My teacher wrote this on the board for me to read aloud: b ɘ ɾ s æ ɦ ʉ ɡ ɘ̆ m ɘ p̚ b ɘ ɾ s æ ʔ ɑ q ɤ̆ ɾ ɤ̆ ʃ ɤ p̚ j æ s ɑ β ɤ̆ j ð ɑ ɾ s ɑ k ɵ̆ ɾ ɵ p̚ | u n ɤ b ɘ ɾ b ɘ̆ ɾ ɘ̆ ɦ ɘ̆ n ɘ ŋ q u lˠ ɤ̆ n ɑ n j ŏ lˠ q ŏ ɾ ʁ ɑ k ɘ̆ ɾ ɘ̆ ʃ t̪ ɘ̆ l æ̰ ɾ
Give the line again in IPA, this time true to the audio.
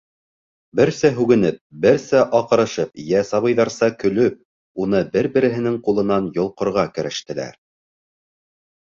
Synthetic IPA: b ɘ ɾ s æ ɦ ʉ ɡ ɘ̆ n ɘ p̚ b ɘ ɾ s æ ʔ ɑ q ɤ̆ ɾ ɤ̆ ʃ ɤ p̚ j æ s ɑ β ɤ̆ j ð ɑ ɾ s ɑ k ɵ̆ l ɵ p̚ | u n ɤ b ɘ ɾ b ɘ̆ ɾ ɘ̆ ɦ ɘ̆ n ɘ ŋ q u lˠ ɤ̆ n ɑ n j ŏ lˠ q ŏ ɾ ʁ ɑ k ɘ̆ ɾ ɘ̆ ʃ t̪ ɘ̆ l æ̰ ɾ